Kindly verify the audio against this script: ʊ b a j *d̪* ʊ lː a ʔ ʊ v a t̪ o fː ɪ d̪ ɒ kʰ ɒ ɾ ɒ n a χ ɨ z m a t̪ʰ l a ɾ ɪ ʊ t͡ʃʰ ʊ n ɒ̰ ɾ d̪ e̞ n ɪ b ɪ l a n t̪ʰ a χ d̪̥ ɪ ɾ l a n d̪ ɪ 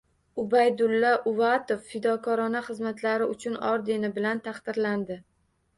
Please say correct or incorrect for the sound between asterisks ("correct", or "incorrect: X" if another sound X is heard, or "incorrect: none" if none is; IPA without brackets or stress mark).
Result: correct